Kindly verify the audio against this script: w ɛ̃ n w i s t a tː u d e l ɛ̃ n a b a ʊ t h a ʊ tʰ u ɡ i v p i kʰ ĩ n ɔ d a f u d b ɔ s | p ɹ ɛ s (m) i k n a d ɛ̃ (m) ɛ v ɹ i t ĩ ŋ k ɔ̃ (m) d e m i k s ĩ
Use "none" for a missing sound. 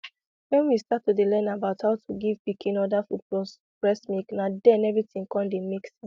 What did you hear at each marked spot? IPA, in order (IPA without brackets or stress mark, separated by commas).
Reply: m, n, n